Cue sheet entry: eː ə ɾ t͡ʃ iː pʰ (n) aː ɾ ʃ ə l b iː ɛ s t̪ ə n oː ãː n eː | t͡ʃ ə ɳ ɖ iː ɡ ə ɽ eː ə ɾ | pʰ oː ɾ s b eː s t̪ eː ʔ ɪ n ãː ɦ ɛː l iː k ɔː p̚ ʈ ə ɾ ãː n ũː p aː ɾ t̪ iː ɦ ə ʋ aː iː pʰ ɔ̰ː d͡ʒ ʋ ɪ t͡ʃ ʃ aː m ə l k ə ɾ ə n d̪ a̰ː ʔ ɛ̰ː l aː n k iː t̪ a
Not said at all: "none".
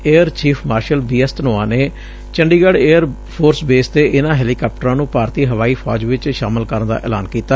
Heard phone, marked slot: m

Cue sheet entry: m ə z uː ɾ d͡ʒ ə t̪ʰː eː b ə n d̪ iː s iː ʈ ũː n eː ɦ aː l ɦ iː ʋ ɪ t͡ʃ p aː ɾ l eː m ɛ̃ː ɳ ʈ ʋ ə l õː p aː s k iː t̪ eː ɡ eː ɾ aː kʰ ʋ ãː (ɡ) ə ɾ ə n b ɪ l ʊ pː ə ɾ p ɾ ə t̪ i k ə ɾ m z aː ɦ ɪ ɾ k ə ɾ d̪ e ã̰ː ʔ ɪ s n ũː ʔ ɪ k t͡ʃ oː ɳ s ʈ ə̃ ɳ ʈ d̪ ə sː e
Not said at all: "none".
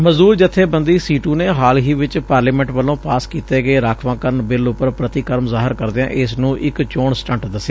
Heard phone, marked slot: k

